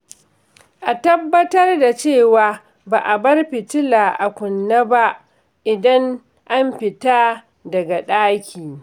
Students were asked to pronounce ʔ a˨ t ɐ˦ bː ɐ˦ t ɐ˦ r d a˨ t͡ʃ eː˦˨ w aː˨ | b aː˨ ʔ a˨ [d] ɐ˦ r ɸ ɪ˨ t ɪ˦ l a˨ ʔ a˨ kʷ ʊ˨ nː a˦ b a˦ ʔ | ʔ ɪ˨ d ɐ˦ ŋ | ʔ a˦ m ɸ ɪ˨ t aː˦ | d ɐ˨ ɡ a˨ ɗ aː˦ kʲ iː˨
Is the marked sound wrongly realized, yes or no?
yes